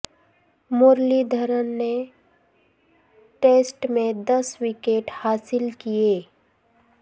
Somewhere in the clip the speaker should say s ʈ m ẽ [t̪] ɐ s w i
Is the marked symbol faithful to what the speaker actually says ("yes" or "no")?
no